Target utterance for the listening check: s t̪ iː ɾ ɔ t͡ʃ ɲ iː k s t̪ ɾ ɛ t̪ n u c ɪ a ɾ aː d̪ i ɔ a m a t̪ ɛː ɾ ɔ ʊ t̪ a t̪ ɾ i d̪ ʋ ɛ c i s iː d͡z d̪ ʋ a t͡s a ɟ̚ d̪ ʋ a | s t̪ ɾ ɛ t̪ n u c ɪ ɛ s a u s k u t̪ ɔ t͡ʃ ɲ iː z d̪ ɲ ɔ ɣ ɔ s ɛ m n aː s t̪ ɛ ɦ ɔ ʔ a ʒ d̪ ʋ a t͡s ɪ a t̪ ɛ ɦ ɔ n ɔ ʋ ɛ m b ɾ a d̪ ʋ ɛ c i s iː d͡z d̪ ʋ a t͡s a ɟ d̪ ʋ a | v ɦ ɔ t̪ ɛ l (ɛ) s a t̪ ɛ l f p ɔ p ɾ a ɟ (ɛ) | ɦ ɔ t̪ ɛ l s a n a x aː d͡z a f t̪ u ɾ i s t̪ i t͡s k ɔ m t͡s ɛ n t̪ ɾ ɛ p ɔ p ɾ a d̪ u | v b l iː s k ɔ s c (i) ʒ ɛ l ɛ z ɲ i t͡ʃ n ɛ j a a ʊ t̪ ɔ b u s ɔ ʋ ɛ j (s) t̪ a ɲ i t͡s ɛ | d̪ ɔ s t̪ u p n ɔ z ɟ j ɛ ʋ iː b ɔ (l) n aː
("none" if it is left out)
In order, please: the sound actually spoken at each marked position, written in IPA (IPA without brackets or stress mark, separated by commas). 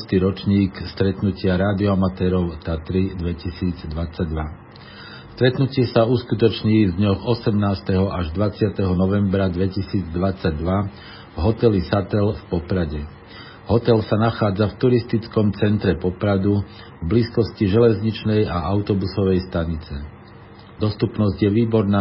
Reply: i, ɛ, i, s, ɾ